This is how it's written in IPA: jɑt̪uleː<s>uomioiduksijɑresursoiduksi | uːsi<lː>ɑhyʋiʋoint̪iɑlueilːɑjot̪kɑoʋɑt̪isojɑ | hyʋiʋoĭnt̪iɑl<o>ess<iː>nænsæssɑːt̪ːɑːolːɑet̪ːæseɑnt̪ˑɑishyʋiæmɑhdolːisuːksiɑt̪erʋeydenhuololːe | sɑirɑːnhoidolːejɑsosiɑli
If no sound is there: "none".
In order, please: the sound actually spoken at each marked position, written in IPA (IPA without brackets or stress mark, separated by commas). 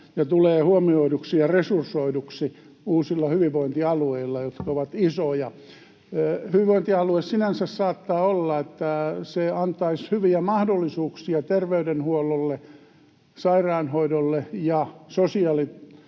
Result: h, lː, u, i